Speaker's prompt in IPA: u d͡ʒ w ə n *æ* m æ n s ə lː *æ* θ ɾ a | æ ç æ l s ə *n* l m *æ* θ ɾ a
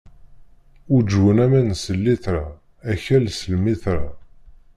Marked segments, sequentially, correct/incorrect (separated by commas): correct, incorrect, incorrect, incorrect